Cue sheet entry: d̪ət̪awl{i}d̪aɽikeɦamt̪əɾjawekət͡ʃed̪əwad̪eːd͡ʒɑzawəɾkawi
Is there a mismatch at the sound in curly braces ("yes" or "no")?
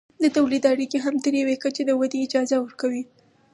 no